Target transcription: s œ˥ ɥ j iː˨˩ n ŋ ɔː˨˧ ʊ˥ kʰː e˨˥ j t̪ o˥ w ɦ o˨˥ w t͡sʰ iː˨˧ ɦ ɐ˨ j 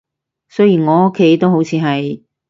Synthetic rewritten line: s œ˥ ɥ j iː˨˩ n ŋ ɔː˨˧ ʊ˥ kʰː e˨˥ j t̪ o˥ w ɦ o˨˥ w t͡sʰ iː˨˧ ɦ ɐ˨ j